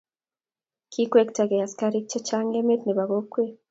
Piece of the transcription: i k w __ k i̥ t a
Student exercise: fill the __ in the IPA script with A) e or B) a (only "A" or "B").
A